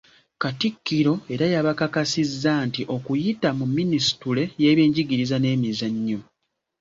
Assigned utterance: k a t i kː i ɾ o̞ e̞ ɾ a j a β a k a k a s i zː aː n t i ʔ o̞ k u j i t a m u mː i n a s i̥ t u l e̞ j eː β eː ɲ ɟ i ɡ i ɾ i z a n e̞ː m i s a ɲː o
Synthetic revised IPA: k a t i kː i ɾ o̞ e̞ ɾ a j a β a k a k a s i zː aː n t i ʔ o̞ k u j i t a m u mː i n i s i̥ t u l e̞ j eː β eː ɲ ɟ i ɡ i ɾ i z a n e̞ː m i z a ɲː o